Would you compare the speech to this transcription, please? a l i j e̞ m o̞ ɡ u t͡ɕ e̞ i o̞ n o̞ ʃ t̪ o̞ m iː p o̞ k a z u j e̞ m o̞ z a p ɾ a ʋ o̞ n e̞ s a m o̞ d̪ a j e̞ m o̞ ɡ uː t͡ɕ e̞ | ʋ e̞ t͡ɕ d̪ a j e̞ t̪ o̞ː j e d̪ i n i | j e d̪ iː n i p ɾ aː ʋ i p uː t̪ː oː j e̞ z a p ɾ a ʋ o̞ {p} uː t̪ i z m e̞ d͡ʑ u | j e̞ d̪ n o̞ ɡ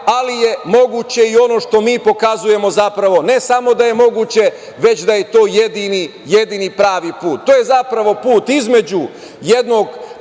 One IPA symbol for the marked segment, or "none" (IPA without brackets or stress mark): p